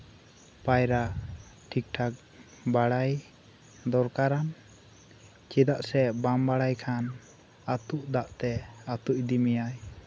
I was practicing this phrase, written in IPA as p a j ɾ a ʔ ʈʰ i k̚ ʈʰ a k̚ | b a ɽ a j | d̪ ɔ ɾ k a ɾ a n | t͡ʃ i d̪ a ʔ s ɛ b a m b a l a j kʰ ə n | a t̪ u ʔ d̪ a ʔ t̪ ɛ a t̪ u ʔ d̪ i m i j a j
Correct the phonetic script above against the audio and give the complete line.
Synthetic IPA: p a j ɾ a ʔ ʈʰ i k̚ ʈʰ a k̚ | b a ɽ a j | d̪ ɔ ɾ k a ɾ a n | t͡ʃ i d̪ a ʔ s ɛ b a m b a ɽ a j kʰ a n | a t̪ u ʔ d̪ a ʔ t̪ ɛ a t̪ u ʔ d̪ i m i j a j